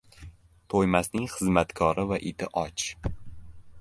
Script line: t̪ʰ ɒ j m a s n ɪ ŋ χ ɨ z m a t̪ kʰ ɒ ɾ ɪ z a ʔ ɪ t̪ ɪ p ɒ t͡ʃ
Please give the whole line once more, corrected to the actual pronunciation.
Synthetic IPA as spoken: t̪ʰ o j m a s n ɪ ŋ χ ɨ z m a t̪ kʰ ɒ ɾ ɪ v a ʔ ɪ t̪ ɪ ʔ ɒ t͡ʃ

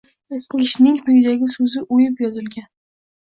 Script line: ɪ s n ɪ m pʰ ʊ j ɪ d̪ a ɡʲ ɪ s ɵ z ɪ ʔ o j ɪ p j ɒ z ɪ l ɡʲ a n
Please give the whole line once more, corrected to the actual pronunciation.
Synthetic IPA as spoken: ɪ ʃ n ɪ ŋ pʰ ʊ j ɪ d̪ a ɡʲ ɪ s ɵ z ɪ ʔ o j ɪ p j ɒ z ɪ l ɡʲ a n

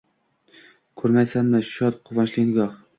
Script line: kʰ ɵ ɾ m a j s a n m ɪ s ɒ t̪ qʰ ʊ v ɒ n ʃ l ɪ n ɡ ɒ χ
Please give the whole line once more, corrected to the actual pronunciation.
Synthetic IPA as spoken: kʰ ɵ ɾ m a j s a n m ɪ ʃ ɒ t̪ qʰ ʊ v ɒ n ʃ l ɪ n ɡ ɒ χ

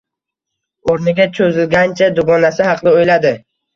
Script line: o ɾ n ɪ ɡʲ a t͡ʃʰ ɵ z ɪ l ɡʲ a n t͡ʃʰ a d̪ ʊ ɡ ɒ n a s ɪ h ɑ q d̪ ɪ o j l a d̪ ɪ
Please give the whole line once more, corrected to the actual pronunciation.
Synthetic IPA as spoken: o ɾ n ɪ ɡʲ a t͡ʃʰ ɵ z ɪ l ɡʲ a n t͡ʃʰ a d̪ ʊ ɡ ɒ n a s ɪ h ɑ q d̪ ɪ o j l a d̪ ɪ

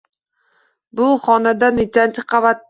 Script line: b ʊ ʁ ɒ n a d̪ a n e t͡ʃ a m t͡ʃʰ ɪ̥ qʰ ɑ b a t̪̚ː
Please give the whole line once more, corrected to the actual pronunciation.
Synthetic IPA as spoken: b ʊ χ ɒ n a d̪ a n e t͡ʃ a n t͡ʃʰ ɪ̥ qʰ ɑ v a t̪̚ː

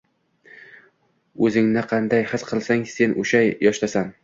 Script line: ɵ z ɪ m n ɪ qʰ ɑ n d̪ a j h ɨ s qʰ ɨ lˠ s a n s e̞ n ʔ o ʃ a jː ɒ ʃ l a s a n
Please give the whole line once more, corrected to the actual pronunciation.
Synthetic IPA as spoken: ɵ z ɪ ŋ n ɪ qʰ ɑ n d̪ a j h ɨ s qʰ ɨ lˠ s a ŋ s e̞ n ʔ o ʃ a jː ɒ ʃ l a s a n

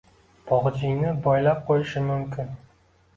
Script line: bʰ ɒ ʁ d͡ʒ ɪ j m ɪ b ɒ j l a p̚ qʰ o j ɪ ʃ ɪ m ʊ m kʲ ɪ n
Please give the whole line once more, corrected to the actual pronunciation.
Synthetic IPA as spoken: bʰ ɒ ʁ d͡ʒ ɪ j n ɪ b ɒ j l a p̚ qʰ o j ɪ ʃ ɪ m ʊ m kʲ ɪ n

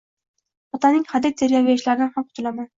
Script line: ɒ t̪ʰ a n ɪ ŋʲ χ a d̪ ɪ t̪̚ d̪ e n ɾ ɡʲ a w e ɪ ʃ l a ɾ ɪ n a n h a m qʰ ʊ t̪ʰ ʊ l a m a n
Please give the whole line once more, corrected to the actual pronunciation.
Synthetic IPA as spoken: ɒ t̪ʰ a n ɪ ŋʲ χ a d̪ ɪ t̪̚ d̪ e ɾ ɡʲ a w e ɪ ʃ l a ɾ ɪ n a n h a m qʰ ʊ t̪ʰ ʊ l a m a n

